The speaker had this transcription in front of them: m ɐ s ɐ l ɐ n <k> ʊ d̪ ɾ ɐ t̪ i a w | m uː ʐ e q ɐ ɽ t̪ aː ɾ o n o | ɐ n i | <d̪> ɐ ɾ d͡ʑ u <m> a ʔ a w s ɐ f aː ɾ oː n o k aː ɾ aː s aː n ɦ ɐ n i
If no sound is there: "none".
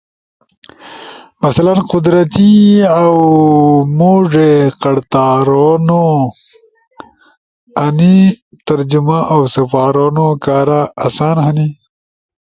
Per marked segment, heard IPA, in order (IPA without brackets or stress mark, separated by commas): q, t̪, m